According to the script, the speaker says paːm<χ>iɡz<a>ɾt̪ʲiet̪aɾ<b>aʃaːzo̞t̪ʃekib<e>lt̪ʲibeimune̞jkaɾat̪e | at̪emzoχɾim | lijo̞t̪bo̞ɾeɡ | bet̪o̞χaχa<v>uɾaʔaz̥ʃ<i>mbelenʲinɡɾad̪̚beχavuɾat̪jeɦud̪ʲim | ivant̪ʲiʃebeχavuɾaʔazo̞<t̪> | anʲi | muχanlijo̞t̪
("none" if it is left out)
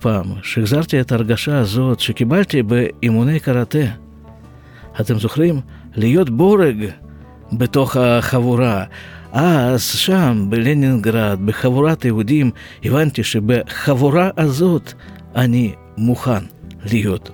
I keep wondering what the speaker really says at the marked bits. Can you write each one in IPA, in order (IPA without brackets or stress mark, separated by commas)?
ʃ, a, ɡ, a, v, a, t̪